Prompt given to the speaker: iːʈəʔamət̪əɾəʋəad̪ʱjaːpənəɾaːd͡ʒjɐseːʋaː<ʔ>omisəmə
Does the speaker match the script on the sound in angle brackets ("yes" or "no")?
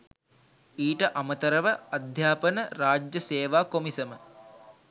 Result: no